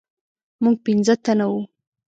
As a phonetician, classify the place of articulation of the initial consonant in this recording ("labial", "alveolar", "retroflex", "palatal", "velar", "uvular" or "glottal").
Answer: labial